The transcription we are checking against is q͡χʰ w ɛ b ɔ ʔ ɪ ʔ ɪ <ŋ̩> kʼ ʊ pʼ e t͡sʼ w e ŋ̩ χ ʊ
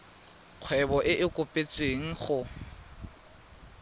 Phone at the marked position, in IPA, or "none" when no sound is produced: none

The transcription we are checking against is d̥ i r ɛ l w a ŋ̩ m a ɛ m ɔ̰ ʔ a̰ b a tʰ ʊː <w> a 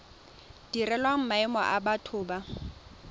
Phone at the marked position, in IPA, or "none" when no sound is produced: b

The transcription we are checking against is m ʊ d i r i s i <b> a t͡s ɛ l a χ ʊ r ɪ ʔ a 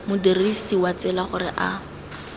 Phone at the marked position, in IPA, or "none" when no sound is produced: w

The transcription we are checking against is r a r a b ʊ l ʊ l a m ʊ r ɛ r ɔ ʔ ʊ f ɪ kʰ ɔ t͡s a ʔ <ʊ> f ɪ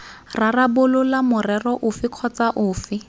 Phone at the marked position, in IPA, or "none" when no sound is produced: ʊː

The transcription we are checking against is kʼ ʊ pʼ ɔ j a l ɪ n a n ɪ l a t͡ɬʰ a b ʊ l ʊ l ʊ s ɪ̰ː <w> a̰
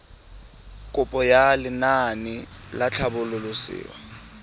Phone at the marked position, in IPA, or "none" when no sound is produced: w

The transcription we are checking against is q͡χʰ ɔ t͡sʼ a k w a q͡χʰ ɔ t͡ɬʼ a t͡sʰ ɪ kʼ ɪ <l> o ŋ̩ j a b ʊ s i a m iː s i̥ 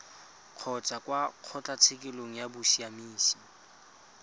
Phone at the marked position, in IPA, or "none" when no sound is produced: l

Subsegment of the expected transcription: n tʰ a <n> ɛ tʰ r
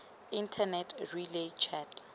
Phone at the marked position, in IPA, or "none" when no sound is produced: n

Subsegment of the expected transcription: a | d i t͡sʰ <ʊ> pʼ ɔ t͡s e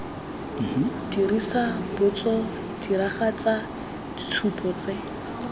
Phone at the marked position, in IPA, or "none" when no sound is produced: u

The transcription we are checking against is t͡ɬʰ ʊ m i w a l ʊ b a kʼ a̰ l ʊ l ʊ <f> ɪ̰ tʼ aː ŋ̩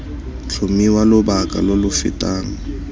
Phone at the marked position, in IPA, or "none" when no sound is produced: f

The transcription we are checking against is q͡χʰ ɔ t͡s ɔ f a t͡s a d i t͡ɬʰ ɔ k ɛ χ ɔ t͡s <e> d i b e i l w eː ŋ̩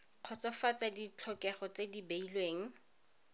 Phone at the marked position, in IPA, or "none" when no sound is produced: e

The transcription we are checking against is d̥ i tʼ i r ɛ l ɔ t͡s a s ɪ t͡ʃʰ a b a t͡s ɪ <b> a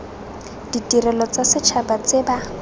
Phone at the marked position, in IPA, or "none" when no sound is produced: b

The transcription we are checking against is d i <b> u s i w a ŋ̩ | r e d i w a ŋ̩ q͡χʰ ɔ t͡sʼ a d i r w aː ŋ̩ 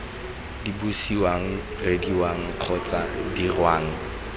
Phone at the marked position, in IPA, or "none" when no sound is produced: b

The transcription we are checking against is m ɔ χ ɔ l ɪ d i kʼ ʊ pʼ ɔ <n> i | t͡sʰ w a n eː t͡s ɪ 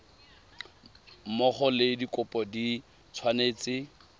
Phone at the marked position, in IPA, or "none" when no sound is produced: d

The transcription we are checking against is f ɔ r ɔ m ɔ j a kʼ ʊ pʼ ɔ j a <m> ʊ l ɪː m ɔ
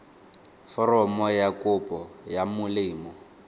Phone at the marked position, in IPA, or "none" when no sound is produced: m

